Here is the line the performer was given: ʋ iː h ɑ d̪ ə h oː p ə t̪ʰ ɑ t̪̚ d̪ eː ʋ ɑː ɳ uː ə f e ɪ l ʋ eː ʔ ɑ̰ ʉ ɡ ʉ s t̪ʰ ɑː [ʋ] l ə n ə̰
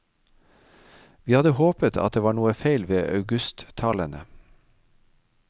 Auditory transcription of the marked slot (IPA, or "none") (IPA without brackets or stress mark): none